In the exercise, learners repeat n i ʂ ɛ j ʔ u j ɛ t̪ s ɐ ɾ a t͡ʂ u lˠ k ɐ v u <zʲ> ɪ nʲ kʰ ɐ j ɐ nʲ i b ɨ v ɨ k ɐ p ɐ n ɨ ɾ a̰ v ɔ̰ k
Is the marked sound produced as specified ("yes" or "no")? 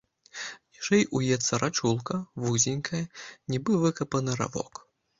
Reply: yes